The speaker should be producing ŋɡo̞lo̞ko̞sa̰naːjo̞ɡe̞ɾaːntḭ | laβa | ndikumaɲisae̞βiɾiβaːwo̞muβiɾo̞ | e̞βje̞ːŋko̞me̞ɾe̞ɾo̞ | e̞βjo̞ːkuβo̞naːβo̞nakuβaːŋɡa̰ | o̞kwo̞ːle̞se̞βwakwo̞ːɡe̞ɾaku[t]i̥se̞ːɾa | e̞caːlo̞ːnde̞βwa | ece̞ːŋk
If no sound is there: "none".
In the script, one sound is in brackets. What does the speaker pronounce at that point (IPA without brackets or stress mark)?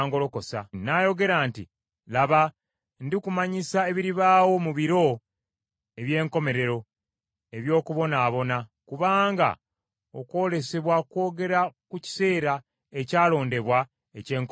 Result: c